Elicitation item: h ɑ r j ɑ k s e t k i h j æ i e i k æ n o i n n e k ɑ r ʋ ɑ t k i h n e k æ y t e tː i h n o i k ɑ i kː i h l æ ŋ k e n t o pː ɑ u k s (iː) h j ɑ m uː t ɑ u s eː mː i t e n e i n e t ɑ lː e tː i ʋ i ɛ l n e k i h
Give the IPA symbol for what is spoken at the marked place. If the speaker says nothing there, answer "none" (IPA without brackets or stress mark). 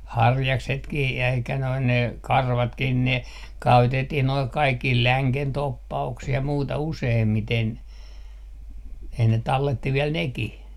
i